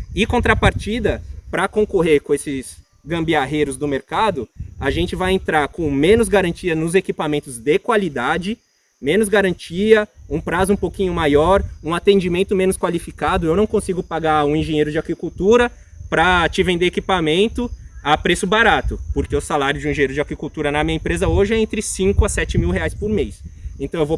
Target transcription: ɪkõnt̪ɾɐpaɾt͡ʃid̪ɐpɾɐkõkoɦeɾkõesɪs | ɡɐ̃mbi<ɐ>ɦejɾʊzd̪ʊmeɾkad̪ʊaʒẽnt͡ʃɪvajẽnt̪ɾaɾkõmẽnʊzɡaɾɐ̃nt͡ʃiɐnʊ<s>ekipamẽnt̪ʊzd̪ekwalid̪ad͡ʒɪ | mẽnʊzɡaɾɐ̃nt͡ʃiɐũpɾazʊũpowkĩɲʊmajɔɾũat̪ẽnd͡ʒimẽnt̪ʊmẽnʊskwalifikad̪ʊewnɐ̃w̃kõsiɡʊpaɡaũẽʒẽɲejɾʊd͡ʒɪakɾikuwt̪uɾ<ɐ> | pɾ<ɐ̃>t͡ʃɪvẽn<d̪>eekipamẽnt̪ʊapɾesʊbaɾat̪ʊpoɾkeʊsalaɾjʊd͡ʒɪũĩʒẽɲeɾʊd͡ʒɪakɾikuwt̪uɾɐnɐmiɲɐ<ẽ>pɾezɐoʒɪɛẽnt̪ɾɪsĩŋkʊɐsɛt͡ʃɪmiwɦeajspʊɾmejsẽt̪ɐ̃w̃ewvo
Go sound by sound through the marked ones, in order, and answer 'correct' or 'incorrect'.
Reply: incorrect: a, incorrect: z, correct, incorrect: ɐ, correct, correct

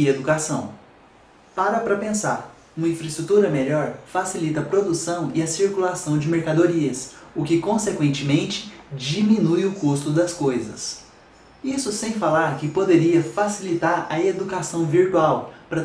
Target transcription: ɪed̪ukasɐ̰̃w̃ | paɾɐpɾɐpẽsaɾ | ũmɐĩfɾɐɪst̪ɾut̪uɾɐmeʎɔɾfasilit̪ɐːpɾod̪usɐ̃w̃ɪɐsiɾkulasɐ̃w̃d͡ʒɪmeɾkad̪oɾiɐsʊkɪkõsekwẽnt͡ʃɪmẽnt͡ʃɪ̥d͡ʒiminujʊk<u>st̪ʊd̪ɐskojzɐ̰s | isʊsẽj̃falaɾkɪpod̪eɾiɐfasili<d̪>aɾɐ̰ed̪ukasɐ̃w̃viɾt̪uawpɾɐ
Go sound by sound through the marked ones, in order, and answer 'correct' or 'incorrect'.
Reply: correct, incorrect: t̪

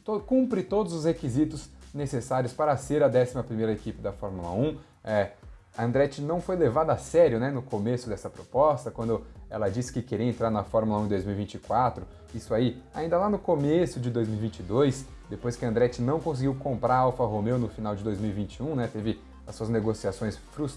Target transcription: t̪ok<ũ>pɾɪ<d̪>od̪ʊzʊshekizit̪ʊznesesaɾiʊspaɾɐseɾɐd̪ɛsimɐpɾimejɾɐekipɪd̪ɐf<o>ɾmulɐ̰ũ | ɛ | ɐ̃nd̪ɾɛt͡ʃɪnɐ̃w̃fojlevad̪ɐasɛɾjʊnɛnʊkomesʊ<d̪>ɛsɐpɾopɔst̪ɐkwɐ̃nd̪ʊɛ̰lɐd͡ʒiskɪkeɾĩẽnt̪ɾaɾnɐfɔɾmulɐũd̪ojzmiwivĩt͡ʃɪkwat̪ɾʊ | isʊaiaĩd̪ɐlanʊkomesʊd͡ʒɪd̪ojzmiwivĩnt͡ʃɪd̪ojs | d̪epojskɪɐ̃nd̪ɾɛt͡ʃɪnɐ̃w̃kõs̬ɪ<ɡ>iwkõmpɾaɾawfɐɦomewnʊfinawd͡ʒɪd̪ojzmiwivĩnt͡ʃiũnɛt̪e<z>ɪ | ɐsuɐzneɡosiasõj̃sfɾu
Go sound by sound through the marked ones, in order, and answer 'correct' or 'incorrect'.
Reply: correct, incorrect: t̪, incorrect: ɔ, correct, correct, incorrect: v

